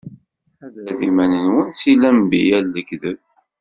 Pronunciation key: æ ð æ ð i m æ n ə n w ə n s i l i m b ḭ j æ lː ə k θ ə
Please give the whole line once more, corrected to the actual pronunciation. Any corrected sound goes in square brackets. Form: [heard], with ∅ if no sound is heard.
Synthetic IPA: æ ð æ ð i m æ n ə n w ə n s i l [æ] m b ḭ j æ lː ə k [ð] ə